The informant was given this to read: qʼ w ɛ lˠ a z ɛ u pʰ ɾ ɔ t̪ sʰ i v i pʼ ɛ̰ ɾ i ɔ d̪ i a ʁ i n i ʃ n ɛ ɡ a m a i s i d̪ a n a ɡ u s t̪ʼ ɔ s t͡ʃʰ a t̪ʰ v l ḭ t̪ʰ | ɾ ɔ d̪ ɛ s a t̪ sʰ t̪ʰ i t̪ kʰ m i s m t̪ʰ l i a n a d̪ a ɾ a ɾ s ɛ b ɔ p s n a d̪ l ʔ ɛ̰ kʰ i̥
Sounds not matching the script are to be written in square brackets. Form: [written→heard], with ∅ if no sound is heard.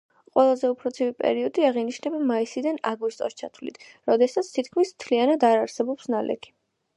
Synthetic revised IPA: qʼ w ɛ lˠ a z ɛ u pʰ ɾ ɔ t̪ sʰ i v i pʼ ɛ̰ ɾ i ɔ d̪ i a ʁ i n i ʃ n ɛ [ɡ→b] a m a i s i d̪ a n a ɡ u s t̪ʼ ɔ s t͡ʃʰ a t̪ʰ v l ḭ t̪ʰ | ɾ ɔ d̪ ɛ s a t̪ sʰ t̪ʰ i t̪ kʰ m i s m t̪ʰ l i a n a d̪ a ɾ a ɾ s ɛ b ɔ p s n a [d̪→∅] l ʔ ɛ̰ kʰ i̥

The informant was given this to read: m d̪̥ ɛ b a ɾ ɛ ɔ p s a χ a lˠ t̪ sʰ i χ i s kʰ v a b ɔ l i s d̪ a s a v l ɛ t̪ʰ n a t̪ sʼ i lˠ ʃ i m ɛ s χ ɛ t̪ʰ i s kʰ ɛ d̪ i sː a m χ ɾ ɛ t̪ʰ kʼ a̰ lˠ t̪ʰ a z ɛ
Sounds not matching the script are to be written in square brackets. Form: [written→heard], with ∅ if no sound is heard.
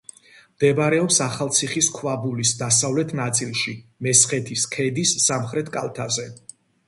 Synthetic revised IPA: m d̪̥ ɛ b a ɾ ɛ ɔ p s a χ a lˠ t̪ sʰ i χ i s kʰ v a b [ɔ→u] l i s d̪ a s a v l ɛ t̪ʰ n a t̪ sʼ i lˠ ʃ i m ɛ s χ ɛ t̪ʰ i s kʰ ɛ d̪ i sː a m χ ɾ ɛ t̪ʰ kʼ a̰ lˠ t̪ʰ a z ɛ

